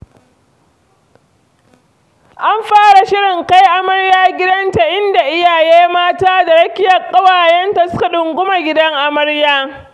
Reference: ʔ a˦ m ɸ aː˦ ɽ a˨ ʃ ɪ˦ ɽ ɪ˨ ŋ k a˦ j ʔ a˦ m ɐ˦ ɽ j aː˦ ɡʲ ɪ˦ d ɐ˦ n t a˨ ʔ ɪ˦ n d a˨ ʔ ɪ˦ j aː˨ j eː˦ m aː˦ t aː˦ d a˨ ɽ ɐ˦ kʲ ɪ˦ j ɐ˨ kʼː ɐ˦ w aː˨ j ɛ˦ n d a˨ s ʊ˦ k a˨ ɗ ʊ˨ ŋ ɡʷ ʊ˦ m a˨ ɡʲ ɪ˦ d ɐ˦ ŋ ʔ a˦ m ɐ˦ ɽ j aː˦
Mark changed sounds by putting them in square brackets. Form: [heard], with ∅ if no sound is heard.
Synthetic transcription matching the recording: ʔ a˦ m ɸ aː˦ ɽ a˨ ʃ ɪ˦ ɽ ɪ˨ ŋ k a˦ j ʔ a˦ m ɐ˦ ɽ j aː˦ ɡʲ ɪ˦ d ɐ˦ n t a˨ ʔ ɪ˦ n d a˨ ʔ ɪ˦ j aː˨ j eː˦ m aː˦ t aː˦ d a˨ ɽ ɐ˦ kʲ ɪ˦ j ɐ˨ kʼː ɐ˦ w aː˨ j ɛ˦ n [t] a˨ s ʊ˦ k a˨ ɗ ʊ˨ ŋ ɡʷ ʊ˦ m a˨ ɡʲ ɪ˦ d ɐ˦ ŋ ʔ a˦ m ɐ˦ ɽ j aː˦